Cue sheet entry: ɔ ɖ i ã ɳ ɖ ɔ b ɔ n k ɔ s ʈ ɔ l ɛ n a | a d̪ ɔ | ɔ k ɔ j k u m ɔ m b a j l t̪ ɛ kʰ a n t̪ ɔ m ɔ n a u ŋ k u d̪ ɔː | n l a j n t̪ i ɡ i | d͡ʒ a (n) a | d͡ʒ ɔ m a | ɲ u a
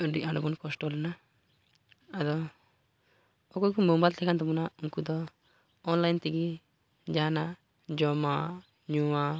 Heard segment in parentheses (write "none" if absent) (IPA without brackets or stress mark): n